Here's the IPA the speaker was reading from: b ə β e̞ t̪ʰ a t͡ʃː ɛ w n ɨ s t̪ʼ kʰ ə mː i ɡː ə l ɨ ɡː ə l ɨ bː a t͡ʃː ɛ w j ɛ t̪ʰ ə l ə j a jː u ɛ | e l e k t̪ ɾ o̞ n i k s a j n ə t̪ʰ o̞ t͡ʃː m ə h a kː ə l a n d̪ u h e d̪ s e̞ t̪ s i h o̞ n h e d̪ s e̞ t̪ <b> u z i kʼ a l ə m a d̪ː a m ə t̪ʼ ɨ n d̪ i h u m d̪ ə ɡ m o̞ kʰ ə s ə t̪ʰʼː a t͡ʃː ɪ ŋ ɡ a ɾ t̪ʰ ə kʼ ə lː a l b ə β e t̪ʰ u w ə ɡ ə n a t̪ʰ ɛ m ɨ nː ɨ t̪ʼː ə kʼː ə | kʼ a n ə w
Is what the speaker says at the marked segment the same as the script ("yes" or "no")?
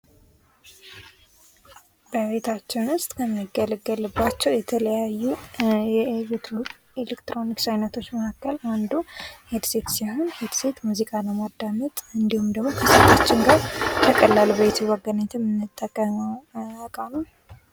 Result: no